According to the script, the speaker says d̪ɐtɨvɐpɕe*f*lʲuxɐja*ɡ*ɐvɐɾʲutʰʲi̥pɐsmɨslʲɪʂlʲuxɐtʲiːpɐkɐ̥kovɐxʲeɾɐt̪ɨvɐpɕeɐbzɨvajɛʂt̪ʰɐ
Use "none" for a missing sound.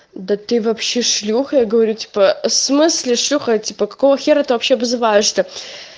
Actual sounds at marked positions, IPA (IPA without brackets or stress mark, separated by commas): ʂ, ɡ